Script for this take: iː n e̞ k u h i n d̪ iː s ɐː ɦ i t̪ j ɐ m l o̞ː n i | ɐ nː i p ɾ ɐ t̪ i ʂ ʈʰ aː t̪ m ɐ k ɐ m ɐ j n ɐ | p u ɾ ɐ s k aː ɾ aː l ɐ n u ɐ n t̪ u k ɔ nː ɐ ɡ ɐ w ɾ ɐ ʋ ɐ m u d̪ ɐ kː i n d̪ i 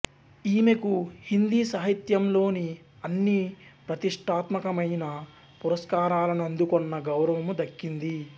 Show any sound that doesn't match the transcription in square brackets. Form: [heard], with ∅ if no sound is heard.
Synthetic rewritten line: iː [m] e̞ k u h i n d̪ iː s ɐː ɦ i t̪ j ɐ m l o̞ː n i | ɐ nː i p ɾ ɐ t̪ i ʂ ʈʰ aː t̪ m ɐ k ɐ m ɐ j n ɐ | p u ɾ ɐ s k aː ɾ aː l ɐ n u ɐ n [d̪] u k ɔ nː ɐ ɡ ɐ w ɾ ɐ ʋ ɐ m u d̪ ɐ kː i n d̪ i